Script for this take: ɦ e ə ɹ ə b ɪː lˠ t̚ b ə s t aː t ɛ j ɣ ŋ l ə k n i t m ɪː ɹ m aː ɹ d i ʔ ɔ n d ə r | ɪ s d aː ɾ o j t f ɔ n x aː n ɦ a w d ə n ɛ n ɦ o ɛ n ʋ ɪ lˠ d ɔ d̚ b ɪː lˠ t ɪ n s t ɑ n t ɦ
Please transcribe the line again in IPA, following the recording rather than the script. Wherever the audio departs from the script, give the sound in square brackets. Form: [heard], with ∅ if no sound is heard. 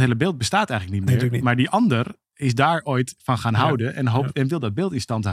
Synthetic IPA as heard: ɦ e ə [l] ə b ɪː lˠ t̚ b ə s t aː t ɛ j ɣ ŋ l ə k n i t m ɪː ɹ m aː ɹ d i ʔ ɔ n d ə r | ɪ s d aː [ɹ] o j t f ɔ n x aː n ɦ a w d ə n ɛ n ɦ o ɛ n ʋ ɪ lˠ d ɔ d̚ b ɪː lˠ t ɪ n s t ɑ n t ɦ